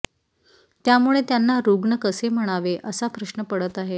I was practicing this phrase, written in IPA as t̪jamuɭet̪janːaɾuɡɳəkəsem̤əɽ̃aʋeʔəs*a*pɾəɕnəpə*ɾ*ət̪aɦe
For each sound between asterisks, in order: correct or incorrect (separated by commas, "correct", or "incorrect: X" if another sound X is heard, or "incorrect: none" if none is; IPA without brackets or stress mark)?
correct, incorrect: ɽ